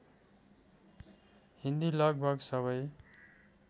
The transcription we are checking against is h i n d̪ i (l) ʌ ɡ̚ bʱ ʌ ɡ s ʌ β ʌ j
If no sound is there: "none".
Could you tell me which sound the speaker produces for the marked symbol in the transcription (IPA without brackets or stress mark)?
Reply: l